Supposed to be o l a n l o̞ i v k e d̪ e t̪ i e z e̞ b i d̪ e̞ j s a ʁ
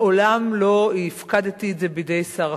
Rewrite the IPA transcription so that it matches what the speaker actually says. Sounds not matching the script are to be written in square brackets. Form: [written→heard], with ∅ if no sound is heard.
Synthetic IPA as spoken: o l a [n→m] l o̞ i [v→f] k [e→a] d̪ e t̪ i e z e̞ b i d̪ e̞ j s a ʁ